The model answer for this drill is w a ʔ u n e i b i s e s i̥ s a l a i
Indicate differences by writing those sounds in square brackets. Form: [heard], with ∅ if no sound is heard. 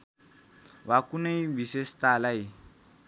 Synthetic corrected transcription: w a [k] u n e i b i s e s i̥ [t] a l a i